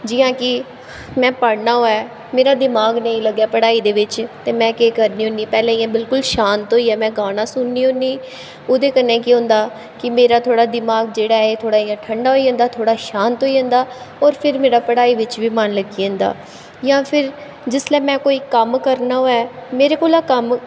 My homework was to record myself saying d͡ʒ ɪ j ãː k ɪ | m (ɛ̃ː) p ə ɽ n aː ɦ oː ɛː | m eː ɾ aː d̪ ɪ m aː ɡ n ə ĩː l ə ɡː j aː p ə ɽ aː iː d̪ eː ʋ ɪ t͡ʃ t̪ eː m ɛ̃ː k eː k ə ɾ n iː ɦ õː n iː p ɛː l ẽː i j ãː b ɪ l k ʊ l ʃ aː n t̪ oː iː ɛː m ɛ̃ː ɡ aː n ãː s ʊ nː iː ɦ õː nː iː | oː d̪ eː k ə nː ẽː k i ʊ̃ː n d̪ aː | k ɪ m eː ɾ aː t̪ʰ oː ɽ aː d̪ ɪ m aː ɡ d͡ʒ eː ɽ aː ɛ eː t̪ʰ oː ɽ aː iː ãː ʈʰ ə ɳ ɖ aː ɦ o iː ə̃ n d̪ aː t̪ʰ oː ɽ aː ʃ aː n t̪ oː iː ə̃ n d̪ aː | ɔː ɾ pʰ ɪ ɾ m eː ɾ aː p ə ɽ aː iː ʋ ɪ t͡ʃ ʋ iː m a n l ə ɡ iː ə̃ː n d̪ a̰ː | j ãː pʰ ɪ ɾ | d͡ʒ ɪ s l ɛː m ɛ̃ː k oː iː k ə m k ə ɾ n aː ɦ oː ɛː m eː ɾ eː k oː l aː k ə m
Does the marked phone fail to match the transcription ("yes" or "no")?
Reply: no